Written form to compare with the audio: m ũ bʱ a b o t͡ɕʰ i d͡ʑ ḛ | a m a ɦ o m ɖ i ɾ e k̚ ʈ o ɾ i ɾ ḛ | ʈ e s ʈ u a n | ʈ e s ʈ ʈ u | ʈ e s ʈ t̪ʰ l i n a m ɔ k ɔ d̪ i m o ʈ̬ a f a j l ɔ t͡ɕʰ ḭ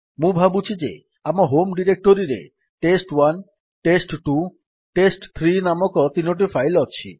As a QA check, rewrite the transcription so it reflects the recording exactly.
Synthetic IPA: m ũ bʱ a b u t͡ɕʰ i d͡ʑ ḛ | a m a ɦ o m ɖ i ɾ e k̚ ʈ o ɾ i ɾ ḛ | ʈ e s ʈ w a n | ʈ e s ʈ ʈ u | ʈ e s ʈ t̪ʰ ɾ i n a m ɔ k ɔ t̪ i n o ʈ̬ i f a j l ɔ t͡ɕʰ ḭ